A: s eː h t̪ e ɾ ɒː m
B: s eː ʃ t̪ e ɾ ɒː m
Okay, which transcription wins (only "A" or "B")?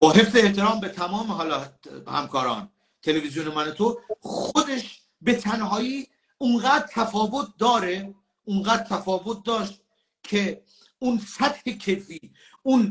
A